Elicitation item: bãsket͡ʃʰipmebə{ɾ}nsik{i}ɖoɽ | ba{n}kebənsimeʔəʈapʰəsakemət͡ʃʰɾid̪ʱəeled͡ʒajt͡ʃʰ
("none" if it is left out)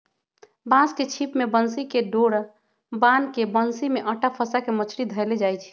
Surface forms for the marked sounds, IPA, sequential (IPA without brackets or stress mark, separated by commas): none, e, n